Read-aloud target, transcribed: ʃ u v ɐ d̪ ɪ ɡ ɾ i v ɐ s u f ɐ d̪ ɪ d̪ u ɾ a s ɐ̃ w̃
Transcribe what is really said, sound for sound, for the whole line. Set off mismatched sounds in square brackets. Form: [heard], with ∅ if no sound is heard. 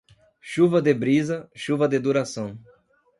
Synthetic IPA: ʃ u v ɐ d̪ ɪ [b] ɾ i [z] ɐ [ʃ] u [v] ɐ d̪ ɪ d̪ u ɾ a s ɐ̃ w̃